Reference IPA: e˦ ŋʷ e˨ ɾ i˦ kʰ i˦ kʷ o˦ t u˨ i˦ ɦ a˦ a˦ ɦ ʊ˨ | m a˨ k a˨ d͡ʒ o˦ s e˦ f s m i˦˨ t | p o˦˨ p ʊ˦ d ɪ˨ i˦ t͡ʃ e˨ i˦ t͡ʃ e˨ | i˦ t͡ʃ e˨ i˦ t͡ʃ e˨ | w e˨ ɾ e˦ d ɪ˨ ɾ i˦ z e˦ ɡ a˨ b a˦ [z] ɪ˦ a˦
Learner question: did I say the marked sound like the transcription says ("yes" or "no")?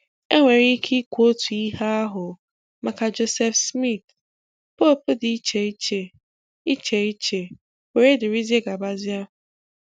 yes